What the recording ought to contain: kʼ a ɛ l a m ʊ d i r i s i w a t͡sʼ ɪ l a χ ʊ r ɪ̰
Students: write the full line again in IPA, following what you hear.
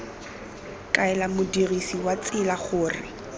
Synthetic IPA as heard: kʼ a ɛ l a m ʊ d i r i s i w a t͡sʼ ɪ l a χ ʊː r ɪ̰

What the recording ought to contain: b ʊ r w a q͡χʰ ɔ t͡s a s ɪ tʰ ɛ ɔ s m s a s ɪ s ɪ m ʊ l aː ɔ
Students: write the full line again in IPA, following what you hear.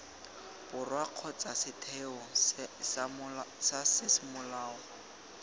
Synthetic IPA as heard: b ʊ r w a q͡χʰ ɔ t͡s a s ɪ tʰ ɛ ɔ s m s a s ɪ s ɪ m ʊ l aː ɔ

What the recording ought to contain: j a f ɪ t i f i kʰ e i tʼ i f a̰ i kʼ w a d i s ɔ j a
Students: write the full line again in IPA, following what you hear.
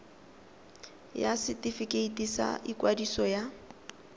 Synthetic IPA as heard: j a s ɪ t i f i k e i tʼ i s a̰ i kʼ w a d i s ɔ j a

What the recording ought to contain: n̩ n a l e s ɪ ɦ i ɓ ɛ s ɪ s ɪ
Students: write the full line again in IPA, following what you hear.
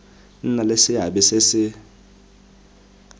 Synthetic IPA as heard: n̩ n a l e s ɪ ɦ a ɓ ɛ s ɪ s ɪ

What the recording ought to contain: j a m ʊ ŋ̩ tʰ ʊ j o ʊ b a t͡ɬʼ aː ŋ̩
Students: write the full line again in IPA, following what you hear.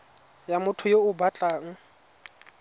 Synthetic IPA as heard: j a m ʊ tʰ ʊ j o ʊ b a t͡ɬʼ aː ŋ̩

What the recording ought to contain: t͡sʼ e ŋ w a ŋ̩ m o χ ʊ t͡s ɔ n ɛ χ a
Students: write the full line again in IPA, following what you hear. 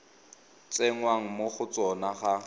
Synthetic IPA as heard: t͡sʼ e ŋ w a ŋ̩ m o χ ʊ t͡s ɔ n a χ a

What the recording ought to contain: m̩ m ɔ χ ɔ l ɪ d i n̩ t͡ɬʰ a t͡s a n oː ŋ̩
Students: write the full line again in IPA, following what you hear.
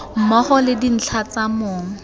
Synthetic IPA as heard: m̩ m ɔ χ ɔ l ɪ d i n̩ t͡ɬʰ a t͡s a m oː ŋ̩

